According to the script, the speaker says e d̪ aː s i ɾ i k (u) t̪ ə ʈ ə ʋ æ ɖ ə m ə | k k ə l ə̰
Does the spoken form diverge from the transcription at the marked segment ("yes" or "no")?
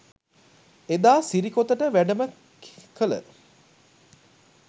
yes